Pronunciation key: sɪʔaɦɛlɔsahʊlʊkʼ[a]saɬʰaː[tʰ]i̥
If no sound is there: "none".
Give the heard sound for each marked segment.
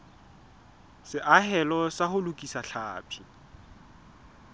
i, pʰ

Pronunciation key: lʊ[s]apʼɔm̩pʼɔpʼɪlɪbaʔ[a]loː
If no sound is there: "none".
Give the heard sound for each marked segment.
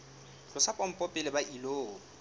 s, i

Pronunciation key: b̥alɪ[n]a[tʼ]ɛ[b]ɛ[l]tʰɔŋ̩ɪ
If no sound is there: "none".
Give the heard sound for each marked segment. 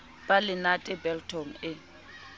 n, tʼ, b, l

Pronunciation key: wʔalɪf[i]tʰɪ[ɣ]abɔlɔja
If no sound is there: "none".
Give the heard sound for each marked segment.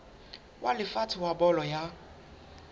a, w

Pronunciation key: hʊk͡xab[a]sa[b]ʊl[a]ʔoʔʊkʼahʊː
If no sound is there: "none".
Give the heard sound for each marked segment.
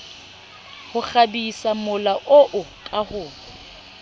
i, m, a

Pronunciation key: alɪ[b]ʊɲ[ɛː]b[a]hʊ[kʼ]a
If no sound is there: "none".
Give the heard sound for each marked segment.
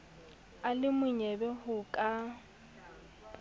m, ɛ, ɛ, kʼ

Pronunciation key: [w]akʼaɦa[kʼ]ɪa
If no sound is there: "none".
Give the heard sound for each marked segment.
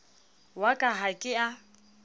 w, kʼ

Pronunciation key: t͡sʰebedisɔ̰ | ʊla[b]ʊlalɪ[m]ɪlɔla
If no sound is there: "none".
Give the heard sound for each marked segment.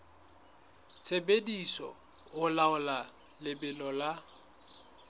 none, b

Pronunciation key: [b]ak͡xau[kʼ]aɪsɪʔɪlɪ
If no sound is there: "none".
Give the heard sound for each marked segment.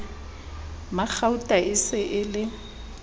m, tʼ

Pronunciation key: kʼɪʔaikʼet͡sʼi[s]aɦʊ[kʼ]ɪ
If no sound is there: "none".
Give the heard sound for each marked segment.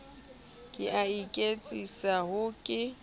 s, kʼ

